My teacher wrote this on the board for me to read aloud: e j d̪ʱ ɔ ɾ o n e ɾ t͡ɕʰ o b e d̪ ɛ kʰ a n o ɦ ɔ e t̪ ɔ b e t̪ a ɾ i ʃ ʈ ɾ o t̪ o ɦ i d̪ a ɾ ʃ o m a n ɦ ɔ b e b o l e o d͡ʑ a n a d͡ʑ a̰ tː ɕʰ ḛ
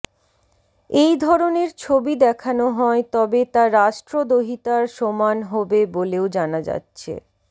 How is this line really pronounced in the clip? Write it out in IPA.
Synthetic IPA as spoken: e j d̪ʱ ɔ ɾ o n e ɾ t͡ɕʰ o b i d̪ ɛ kʰ a n o ɦ ɔ e t̪ ɔ b e t̪ a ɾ a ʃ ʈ ɾ o d̪ o ɦ i t̪ a ɾ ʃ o m a n ɦ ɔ b e b o l e o d͡ʑ a n a d͡ʑ a̰ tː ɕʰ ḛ